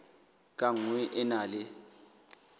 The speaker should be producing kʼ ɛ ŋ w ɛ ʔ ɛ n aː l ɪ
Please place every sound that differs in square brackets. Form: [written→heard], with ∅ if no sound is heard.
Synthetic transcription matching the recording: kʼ [ɛ→a] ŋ w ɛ ʔ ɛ n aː l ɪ